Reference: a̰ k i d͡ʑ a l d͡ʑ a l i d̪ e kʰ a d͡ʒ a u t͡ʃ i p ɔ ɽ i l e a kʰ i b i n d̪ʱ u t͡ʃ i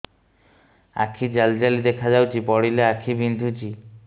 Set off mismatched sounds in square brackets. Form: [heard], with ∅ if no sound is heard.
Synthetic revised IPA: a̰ [kʰ] i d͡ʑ a l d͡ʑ a l i d̪ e kʰ a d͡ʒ a [w] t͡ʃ i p ɔ ɽ i l e a kʰ i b i n d̪ʱ u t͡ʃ i